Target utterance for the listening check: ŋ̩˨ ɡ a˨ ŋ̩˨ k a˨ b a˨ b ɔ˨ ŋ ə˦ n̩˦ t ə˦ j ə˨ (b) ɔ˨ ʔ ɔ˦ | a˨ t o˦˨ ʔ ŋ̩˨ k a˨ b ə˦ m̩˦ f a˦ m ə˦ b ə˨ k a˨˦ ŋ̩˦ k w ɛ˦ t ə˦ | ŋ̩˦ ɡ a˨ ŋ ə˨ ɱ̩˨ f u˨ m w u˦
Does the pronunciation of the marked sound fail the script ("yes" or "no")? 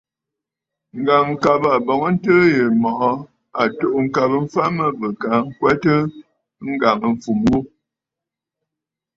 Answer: yes